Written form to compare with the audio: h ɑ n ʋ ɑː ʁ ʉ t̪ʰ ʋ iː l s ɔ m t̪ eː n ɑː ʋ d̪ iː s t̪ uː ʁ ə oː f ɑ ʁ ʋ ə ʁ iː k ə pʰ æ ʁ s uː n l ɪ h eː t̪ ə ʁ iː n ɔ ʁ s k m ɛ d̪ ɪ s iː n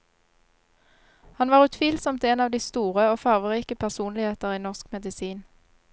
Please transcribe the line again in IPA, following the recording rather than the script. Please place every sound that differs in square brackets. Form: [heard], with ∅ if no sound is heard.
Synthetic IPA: h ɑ n ʋ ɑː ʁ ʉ t̪ʰ ʋ iː l s ɔ m t̪ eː n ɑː ʋ d̪ iː s t̪ uː ʁ ə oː f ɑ ʁ ʋ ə ʁ iː k ə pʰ æ ʁ s uː n l ɪ h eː t̪ ə ʁ iː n ɔ ʁ s k m ɛ d̪ ɪ s iː n